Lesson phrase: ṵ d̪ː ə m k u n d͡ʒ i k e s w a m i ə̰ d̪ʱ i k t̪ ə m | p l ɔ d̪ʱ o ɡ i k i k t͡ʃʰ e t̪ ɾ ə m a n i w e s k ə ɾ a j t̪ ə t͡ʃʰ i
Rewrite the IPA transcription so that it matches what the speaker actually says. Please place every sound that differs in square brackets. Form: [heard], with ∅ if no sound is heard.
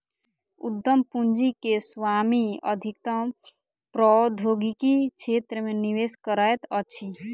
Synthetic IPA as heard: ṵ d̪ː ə m [p] u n d͡ʒ i k e s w a m i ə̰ d̪ʱ i k t̪ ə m | p [ɾ] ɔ d̪ʱ o ɡ i k i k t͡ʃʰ e t̪ ɾ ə m [e] n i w e s k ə ɾ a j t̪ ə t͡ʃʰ i